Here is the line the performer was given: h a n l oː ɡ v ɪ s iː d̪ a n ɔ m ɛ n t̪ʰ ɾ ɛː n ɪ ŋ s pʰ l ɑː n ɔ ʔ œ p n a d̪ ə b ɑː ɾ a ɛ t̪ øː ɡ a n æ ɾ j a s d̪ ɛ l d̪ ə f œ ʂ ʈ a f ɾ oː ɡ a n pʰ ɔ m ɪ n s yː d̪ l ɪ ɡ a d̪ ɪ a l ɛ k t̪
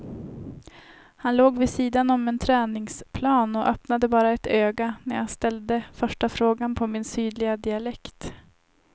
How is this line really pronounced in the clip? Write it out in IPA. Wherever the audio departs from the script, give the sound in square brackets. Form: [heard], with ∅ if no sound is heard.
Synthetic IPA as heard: h a n l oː ɡ v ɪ s iː d̪ a n ɔ m ɛ n t̪ʰ ɾ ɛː n ɪ ŋ s pʰ l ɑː n ɔ ʔ œ p n a d̪ ə b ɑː ɾ a ɛ t̪ øː ɡ a n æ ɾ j a s [t̪] ɛ l d̪ ə f œ ʂ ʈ a f ɾ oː ɡ a n pʰ ɔ m ɪ n s yː d̪ l ɪ ɡ a d̪ ɪ a l ɛ k t̪

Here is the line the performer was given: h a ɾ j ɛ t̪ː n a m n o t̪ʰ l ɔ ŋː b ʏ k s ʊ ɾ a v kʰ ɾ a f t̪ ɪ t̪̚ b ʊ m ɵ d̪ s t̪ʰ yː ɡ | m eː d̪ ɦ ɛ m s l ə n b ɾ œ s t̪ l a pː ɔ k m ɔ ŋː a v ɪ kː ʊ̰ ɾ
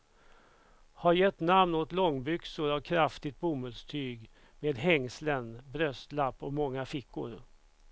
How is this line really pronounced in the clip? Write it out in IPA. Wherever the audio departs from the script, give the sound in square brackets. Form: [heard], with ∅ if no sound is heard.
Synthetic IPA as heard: h a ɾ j ɛ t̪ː n a m n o [t̪] l ɔ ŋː b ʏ k s ʊ ɾ a v kʰ ɾ a f t̪ ɪ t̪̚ b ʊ m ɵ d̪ s t̪ʰ yː ɡ | m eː d̪ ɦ ɛ [ŋ] s l ə n b ɾ œ s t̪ l a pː ɔ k m ɔ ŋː a [f] ɪ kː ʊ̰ ɾ

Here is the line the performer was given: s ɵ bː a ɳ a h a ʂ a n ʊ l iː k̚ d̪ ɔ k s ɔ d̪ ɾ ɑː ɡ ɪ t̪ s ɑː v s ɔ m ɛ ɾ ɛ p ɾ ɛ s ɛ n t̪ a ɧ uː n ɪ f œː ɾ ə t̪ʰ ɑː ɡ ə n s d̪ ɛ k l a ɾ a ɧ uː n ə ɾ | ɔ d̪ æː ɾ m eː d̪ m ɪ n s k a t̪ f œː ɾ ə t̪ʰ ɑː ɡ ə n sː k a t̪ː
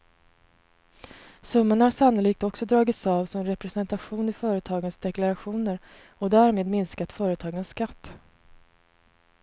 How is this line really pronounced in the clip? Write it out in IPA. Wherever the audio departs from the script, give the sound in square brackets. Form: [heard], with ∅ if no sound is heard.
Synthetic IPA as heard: s ɵ [mː] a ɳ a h a ʂ a n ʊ l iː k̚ [t̪] ɔ k s ɔ d̪ ɾ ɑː ɡ ɪ t̪ s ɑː v s ɔ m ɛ ɾ ɛ p ɾ ɛ s ɛ n t̪ a ɧ uː n ɪ f œː ɾ ə t̪ʰ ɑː ɡ ə n s d̪ ɛ k l a ɾ a ɧ uː n ə ɾ | ɔ d̪ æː ɾ m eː d̪ m ɪ n s k a t̪ f œː ɾ ə t̪ʰ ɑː ɡ ə n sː k a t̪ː

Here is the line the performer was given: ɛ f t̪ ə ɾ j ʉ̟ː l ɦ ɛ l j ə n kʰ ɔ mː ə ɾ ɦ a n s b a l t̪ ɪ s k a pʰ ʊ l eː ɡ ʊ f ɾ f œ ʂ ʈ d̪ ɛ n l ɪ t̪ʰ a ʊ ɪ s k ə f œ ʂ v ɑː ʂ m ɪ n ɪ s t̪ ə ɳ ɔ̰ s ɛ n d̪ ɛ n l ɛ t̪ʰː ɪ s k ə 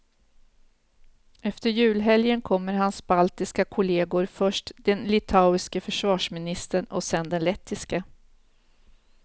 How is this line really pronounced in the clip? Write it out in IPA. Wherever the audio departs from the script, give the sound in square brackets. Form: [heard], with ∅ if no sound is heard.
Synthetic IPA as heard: ɛ f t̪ ə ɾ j ʉ̟ː l ɦ ɛ l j ə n kʰ ɔ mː ə ɾ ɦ a n s b a l t̪ ɪ s k a [kʰ] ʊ l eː ɡ ʊ [∅] ɾ f œ ʂ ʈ d̪ ɛ n l ɪ t̪ʰ a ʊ ɪ s k ə f œ ʂ v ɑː ʂ m ɪ n ɪ s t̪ ə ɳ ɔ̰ s ɛ n d̪ ɛ n l ɛ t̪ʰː ɪ s k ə

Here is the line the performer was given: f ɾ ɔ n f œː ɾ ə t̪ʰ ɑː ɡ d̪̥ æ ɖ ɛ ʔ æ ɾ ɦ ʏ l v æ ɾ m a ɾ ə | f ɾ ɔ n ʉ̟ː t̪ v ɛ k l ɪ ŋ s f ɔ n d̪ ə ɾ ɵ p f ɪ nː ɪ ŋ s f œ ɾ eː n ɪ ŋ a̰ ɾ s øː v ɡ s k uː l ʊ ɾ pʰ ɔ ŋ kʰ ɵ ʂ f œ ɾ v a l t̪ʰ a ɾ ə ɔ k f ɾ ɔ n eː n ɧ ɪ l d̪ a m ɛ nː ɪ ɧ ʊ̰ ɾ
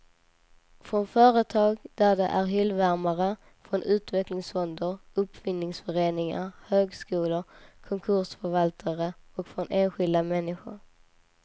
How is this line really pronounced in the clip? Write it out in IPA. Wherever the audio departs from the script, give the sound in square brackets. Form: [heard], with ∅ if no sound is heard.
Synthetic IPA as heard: f ɾ ɔ n f œː ɾ ə t̪ʰ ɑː ɡ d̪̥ æ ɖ ɛ ʔ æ ɾ ɦ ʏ l v æ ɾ m a ɾ ə | f ɾ ɔ n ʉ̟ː t̪ v ɛ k l ɪ ŋ s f ɔ n d̪ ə ɾ ɵ p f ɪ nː ɪ ŋ s f œ ɾ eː n ɪ ŋ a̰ ɾ [h] øː [∅] ɡ s k uː l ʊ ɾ [kʰ] ɔ ŋ kʰ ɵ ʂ f œ ɾ v a l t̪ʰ a ɾ ə ɔ k f ɾ ɔ n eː n ɧ ɪ l d̪ a m ɛ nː ɪ ɧ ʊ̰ ɾ

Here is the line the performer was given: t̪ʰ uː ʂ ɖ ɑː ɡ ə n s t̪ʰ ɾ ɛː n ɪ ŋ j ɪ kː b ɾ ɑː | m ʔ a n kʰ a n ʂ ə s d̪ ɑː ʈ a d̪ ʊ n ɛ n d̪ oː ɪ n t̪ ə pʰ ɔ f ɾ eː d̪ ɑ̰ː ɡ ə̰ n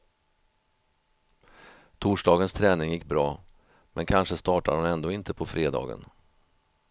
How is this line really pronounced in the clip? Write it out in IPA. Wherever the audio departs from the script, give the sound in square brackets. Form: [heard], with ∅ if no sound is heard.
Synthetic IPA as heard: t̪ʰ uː ʂ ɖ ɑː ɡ ə n s t̪ʰ ɾ ɛː n ɪ ŋ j ɪ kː b ɾ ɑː | m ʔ [ɛ] n kʰ a n ʂ ə s [t̪] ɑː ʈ a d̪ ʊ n ɛ n d̪ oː ɪ n t̪ ə pʰ ɔ f ɾ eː d̪ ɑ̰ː ɡ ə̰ n

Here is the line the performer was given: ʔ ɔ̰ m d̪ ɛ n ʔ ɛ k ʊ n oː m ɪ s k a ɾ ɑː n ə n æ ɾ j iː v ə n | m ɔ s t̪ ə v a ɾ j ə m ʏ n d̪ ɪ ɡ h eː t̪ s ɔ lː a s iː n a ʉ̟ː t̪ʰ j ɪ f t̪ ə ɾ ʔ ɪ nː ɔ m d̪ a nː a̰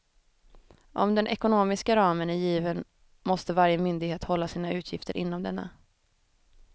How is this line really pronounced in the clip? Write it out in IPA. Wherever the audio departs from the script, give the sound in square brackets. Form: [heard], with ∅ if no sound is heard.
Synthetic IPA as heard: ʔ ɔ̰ m d̪ ɛ n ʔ ɛ k ʊ n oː m ɪ s k a ɾ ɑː [m] ə n æ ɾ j iː v ə n | m ɔ s t̪ ə v a ɾ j ə m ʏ n d̪ ɪ ɡ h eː t̪ [h] ɔ lː a s iː n a ʉ̟ː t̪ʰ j ɪ f t̪ ə ɾ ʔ ɪ nː ɔ m d̪ [ɛ] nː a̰

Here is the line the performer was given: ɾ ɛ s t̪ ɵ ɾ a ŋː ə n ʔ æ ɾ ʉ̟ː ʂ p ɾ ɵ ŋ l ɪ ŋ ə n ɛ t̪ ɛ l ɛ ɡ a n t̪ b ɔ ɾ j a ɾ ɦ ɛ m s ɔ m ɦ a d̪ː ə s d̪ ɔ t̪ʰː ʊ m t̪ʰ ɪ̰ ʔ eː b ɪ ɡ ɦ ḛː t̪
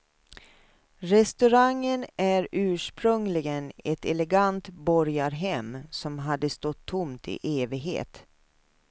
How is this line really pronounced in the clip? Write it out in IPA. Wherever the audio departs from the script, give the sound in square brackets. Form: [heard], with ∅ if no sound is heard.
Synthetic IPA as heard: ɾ ɛ s t̪ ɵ ɾ a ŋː ə n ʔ æ ɾ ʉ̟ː ʂ p ɾ ɵ ŋ l ɪ [ɡ] ə n ɛ t̪ ɛ l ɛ ɡ a n t̪ b ɔ ɾ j a ɾ ɦ ɛ m s ɔ m ɦ a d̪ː ə s [t̪] ɔ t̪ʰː ʊ m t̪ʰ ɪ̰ ʔ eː [v] ɪ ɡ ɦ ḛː t̪

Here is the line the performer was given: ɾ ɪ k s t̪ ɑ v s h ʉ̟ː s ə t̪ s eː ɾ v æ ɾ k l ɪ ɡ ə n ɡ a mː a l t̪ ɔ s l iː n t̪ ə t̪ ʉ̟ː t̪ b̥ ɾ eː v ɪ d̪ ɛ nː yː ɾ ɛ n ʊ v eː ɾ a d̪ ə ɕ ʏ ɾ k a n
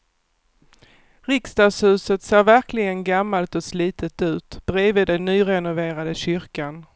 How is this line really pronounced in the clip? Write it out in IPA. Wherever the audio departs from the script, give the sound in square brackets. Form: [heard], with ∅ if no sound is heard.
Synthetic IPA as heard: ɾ ɪ k s t̪ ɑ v s h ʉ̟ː s ə t̪ s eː ɾ v æ ɾ k l ɪ ɡ ə n ɡ a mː a l t̪ ɔ s l iː [∅] t̪ ə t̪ ʉ̟ː t̪ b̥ ɾ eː v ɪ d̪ ɛ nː yː ɾ ɛ n ʊ v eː ɾ a d̪ ə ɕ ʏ ɾ k a n

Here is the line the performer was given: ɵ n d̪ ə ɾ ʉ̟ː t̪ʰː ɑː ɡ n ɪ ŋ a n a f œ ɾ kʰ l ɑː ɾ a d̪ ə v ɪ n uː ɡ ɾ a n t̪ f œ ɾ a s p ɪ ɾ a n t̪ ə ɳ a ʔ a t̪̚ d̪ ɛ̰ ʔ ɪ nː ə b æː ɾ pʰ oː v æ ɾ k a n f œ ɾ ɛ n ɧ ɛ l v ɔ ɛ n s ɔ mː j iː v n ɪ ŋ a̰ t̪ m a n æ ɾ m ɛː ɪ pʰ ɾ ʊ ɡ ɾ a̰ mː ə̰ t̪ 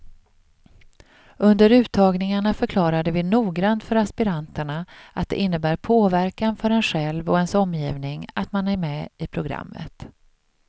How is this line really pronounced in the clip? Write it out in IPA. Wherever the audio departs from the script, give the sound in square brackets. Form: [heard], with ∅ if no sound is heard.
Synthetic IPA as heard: ɵ n d̪ ə ɾ ʉ̟ː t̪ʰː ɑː ɡ n ɪ ŋ a [ɳ] a f œ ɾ kʰ l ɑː ɾ a d̪ ə v ɪ n uː ɡ ɾ a n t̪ f œ ɾ a s p ɪ ɾ a n t̪ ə ɳ a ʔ a t̪̚ d̪ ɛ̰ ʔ ɪ nː ə b æː ɾ pʰ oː v æ ɾ k a n f œ ɾ ɛ n ɧ ɛ l v ɔ ɛ n s ɔ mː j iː v n ɪ ŋ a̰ t̪ m a n æ ɾ m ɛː ɪ pʰ ɾ ʊ ɡ ɾ a̰ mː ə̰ t̪

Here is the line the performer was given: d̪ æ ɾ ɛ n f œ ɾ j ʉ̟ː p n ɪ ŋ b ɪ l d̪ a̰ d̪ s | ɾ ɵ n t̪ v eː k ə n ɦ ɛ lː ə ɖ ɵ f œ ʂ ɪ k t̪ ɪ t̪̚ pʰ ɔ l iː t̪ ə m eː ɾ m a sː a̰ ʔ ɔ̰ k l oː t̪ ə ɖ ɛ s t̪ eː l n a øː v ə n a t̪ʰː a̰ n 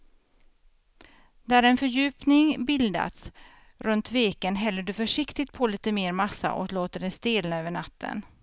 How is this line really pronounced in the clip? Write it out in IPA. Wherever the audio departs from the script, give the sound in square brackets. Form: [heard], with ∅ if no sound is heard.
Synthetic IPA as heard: d̪ æ ɾ ɛ n f œ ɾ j ʉ̟ː p n ɪ ŋ b ɪ l d̪ a̰ [t̪] s | ɾ ɵ n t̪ v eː k ə n ɦ ɛ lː ə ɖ ɵ f œ ʂ ɪ k t̪ ɪ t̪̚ pʰ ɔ l iː t̪ ə m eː ɾ m a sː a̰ ʔ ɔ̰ k l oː t̪ ə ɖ ɛ s t̪ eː l n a øː v ə [ɳ] a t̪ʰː [ə̰] n

